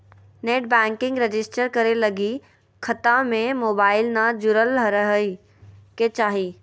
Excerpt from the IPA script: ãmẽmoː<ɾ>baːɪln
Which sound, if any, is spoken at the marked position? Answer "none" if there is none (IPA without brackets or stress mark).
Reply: none